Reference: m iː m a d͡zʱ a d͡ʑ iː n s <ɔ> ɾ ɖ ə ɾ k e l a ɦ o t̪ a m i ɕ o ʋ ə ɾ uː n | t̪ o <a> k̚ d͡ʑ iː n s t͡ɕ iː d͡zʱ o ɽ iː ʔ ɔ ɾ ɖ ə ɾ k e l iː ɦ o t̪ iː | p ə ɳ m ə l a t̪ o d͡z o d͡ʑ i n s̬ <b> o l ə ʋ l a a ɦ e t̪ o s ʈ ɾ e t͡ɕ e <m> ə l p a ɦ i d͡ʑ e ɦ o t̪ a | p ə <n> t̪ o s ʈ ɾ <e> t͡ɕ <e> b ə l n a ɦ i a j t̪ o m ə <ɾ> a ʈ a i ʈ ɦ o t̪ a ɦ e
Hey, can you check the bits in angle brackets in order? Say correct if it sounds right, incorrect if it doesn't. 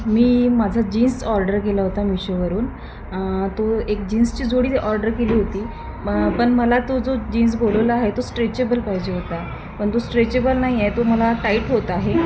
correct, incorrect: e, correct, incorrect: b, incorrect: ɳ, correct, correct, incorrect: l

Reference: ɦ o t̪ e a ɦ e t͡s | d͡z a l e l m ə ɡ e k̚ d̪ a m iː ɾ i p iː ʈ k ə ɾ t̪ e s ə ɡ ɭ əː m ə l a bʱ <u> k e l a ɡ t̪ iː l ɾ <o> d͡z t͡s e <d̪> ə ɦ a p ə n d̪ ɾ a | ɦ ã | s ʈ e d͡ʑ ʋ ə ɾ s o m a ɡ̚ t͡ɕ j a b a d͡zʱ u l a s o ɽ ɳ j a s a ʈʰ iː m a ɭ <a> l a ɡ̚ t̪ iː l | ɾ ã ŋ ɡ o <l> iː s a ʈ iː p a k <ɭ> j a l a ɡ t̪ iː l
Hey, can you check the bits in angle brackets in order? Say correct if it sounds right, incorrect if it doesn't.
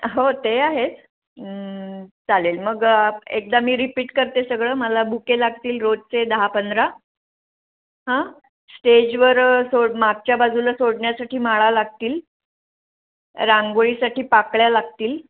correct, correct, correct, correct, incorrect: ɭ, correct

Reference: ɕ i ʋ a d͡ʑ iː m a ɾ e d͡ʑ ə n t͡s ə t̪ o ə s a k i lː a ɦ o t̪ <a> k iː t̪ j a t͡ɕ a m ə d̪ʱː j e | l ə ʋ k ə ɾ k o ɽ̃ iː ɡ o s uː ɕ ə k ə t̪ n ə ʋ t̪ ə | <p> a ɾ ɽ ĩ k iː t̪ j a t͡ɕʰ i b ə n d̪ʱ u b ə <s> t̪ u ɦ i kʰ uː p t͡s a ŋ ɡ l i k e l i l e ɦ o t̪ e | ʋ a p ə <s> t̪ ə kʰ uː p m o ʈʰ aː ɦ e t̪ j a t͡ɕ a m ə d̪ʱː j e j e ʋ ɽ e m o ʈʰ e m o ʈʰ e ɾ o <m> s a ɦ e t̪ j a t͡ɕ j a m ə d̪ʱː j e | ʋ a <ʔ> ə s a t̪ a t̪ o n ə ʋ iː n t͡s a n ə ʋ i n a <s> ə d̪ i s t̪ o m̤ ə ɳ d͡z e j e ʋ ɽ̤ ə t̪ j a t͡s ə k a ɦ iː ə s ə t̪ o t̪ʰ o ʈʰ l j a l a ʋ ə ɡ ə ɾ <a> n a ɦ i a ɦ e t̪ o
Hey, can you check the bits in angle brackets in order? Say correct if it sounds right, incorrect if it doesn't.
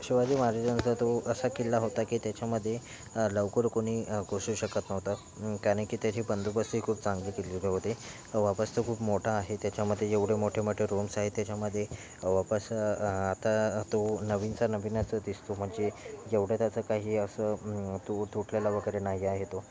correct, incorrect: k, correct, correct, correct, incorrect: p, incorrect: t͡s, incorrect: e

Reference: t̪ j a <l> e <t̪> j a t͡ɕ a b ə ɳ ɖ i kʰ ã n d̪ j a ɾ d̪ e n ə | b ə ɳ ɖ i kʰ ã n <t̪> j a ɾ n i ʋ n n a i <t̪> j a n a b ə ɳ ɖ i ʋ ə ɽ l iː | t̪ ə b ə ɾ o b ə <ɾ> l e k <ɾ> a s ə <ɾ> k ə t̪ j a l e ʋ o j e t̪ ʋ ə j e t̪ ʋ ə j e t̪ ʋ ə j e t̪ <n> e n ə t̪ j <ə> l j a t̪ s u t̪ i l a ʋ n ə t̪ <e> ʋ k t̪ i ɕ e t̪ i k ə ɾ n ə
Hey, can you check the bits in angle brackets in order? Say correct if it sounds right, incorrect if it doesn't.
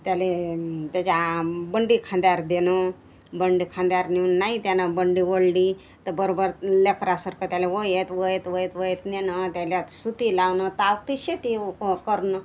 correct, correct, incorrect: d̪, correct, correct, correct, correct, correct, incorrect: a, incorrect: a

